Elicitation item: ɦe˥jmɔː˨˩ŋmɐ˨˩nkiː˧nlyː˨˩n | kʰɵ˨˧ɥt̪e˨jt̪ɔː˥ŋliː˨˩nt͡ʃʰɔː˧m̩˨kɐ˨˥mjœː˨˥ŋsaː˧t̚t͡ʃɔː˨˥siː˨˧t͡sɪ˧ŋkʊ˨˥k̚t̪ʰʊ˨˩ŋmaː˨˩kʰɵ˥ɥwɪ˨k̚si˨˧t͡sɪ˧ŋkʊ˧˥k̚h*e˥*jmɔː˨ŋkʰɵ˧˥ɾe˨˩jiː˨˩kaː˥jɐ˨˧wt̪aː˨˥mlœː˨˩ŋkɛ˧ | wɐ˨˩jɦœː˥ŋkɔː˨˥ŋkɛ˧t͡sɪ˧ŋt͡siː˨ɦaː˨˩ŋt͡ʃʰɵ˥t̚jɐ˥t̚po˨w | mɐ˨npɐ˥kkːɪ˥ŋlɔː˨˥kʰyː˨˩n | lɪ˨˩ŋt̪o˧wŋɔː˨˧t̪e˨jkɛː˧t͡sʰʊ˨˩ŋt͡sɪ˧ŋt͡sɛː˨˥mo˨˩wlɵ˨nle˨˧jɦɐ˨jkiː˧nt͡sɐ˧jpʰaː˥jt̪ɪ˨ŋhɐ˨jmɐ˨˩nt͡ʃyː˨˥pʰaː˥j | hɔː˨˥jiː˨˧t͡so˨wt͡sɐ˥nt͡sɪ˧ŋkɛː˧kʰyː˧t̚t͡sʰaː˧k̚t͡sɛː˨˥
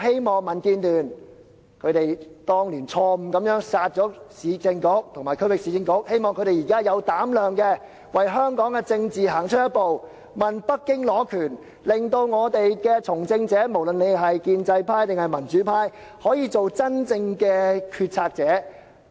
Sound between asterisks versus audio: correct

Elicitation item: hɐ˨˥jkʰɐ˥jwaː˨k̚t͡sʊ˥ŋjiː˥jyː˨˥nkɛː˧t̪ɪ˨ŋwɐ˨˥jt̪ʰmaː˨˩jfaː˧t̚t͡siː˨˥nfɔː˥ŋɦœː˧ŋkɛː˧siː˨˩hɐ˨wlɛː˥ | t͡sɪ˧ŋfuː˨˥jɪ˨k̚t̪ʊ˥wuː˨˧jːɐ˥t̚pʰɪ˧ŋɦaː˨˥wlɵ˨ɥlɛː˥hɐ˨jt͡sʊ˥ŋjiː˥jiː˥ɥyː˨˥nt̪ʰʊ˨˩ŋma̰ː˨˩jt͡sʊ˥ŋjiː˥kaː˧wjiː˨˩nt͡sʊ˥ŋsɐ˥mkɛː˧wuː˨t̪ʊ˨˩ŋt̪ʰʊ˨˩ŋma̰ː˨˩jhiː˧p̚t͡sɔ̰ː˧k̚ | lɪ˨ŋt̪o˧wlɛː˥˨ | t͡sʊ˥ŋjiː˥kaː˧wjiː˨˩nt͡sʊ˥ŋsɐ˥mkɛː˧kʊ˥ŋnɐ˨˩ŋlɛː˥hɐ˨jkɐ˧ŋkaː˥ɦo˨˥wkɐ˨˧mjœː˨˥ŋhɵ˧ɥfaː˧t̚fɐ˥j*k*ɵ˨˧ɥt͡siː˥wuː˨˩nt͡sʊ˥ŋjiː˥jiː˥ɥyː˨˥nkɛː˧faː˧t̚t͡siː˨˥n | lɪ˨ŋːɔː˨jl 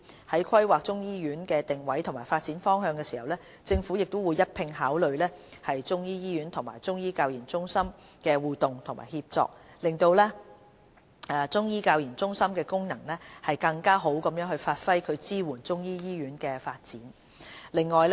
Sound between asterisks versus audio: incorrect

